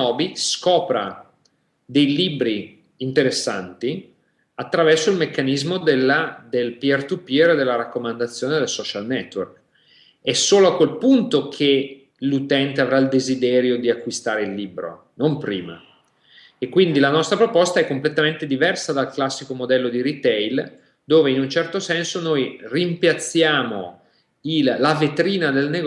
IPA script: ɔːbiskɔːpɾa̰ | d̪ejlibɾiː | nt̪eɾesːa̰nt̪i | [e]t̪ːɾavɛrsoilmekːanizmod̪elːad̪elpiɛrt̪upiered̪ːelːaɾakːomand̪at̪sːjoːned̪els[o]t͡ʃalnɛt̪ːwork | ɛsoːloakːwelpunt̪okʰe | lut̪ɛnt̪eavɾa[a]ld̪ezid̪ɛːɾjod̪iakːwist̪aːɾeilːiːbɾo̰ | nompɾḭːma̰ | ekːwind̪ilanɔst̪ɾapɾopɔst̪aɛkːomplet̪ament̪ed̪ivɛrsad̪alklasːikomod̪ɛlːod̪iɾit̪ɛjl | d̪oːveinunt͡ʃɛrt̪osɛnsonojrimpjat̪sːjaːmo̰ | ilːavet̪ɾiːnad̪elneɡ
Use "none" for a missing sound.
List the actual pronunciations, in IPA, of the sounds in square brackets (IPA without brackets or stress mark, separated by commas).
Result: a, ɔ, i